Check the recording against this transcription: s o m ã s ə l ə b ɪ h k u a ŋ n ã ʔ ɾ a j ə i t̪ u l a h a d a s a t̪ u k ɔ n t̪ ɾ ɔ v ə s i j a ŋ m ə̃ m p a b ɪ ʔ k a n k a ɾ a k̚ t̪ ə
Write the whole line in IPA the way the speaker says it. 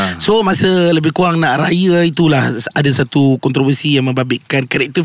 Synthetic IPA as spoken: s o m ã s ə l ə b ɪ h k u a ŋ n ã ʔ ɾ a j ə i t̪ u l a h a d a s a t̪ u k ɔ n t̪ ɾ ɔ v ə s i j a ŋ m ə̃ m b a b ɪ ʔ k a n k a ɾ ɛ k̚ t̪ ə